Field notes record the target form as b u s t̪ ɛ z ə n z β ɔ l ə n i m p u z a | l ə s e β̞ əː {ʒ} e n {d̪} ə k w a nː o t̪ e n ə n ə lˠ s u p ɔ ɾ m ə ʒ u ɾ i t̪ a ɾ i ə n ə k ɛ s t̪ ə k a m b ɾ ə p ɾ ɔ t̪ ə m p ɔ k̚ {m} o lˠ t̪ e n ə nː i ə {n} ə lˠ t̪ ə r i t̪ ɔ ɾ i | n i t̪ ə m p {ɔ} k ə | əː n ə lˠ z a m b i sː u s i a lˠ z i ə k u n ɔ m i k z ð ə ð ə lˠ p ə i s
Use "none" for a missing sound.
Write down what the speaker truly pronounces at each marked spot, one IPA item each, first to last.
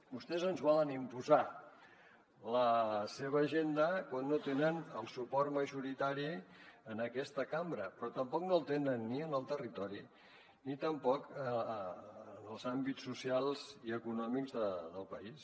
ʒ, d̪, n, n, ɔ

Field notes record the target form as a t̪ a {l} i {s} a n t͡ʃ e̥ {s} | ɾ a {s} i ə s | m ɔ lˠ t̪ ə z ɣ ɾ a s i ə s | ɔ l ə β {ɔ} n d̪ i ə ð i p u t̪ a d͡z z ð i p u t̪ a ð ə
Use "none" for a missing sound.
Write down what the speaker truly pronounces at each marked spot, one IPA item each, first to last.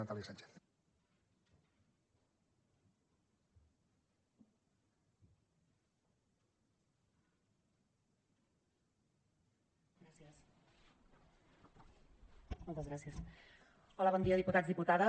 l, s, θ, s, ɔ

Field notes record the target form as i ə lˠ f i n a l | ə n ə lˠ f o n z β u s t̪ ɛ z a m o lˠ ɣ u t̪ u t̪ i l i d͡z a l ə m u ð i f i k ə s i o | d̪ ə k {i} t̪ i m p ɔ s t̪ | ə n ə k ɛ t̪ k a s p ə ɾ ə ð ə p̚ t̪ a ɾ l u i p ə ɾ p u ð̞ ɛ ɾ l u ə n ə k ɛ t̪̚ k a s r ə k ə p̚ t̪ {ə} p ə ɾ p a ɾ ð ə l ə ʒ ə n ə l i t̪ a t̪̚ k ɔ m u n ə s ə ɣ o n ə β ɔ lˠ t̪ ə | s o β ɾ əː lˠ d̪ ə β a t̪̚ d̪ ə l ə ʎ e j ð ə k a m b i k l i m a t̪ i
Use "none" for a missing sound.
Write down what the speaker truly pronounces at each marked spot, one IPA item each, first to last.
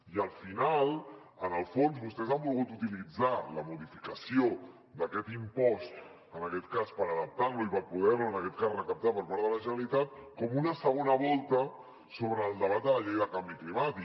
ɛ, a

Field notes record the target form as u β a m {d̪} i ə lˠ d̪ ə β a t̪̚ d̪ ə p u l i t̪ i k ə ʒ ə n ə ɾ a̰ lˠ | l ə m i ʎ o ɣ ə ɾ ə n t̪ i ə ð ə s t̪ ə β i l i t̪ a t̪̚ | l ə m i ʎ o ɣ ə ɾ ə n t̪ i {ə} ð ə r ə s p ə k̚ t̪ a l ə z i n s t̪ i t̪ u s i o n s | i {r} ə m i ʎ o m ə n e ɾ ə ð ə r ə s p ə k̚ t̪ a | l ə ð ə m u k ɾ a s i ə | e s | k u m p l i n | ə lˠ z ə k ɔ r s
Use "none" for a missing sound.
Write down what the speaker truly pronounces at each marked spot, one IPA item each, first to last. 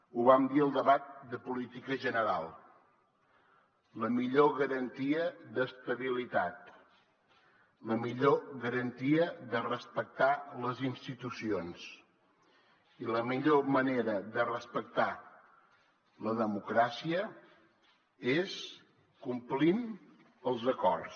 d̪, ə, l

